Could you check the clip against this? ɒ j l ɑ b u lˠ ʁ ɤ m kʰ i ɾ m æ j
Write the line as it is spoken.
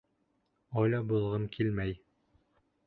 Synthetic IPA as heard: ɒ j l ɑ b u lˠ ʁ ɤ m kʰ i l m æ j